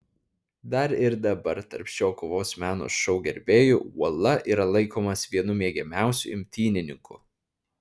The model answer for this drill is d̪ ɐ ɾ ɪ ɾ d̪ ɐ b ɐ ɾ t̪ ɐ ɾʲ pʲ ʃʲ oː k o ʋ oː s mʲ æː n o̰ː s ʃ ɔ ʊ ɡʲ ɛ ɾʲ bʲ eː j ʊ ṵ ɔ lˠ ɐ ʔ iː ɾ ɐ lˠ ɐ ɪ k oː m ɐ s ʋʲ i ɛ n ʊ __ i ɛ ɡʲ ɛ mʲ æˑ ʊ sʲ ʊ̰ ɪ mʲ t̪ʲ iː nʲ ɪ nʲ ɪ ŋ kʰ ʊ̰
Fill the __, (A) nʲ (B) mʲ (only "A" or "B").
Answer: B